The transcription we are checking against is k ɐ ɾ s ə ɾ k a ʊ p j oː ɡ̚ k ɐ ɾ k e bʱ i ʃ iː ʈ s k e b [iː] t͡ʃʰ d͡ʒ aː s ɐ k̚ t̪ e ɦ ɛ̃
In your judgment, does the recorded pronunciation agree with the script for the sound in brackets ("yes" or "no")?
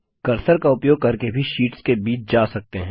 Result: yes